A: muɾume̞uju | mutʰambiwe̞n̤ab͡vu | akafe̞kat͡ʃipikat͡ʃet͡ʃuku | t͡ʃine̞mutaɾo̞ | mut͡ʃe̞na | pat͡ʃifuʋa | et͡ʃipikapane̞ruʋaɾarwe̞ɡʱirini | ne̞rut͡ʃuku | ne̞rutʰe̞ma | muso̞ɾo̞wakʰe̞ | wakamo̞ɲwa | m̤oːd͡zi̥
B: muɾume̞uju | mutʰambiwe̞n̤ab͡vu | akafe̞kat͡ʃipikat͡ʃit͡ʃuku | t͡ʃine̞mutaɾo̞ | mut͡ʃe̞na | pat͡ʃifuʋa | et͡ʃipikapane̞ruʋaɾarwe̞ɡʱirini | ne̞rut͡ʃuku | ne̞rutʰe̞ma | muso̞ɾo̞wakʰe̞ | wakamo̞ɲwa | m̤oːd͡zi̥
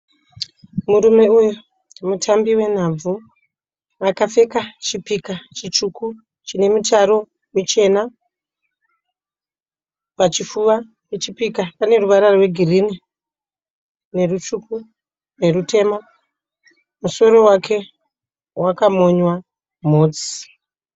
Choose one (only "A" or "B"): B